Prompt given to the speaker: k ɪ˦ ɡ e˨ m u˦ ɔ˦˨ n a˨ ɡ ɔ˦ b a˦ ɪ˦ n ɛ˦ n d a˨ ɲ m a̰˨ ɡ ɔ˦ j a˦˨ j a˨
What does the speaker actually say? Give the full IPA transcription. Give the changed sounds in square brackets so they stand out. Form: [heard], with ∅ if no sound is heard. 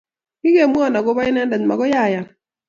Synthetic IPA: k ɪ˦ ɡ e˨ m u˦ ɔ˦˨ n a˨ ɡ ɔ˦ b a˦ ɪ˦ n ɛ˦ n d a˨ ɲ m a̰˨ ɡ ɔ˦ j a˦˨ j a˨